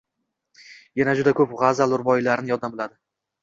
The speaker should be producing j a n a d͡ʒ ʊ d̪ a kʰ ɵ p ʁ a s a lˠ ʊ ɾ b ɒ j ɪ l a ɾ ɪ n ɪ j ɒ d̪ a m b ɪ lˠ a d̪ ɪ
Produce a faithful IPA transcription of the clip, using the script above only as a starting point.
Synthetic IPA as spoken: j a n a d͡ʒ ʊ d̪ a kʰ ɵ p ʁ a z a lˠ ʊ ɾ b ɒ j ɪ l a ɾ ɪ n ɪ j ɒ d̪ a m b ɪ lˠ a d̪ ɪ